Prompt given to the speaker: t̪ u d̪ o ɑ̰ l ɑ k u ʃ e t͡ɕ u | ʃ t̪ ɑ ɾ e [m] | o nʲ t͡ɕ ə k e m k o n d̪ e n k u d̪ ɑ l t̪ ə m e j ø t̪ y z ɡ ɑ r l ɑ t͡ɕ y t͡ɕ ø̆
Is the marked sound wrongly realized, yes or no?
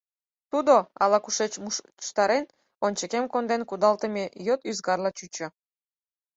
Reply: yes